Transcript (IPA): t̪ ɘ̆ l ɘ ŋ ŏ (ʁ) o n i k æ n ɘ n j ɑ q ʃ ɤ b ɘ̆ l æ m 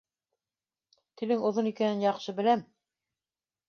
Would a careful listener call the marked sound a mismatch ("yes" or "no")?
yes